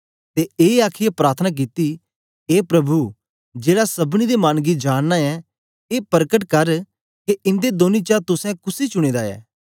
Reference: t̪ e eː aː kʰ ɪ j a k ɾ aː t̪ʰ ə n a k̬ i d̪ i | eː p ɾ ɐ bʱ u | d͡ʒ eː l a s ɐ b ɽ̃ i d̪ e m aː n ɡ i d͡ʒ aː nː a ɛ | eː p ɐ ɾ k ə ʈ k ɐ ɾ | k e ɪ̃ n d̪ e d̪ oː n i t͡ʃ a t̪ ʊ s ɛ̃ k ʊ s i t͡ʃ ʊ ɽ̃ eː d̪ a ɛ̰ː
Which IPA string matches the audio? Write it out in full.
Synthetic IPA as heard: t̪ e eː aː kʰ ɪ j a p ɾ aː t̪ʰ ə n a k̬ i t̪ i | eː p ɾ ɐ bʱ u | d͡ʒ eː ɽ a s ɐ b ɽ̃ i d̪ e m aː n ɡ i d͡ʒ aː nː a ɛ | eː p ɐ ɾ k ə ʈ k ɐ ɾ | k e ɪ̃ n d̪ e d̪ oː n i t͡ʃ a t̪ ʊ s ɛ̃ k ʊ s i t͡ʃ ʊ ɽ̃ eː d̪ a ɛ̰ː